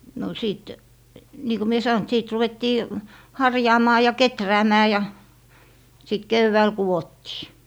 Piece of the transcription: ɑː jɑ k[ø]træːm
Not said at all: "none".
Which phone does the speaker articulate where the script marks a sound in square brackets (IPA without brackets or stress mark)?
e